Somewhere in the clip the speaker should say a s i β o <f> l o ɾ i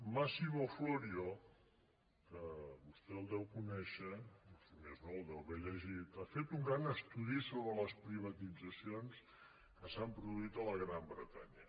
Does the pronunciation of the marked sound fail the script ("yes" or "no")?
no